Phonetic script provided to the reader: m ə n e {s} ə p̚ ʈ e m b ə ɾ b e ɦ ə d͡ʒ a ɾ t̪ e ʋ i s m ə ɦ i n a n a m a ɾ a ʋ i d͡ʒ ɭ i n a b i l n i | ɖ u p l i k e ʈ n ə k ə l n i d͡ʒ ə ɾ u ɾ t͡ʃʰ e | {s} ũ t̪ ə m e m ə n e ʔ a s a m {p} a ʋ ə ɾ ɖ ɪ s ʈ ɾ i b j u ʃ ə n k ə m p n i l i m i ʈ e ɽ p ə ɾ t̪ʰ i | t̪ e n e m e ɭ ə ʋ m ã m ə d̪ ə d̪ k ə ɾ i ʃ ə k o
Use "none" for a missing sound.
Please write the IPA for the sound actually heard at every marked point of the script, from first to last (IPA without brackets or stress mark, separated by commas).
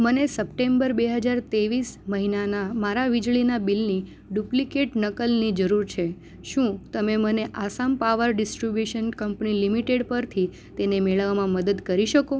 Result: s, ʃ, p